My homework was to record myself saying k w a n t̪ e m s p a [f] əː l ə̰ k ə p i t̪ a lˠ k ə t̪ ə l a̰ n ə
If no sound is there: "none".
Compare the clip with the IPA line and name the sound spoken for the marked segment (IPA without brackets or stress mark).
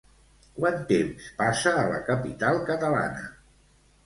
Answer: s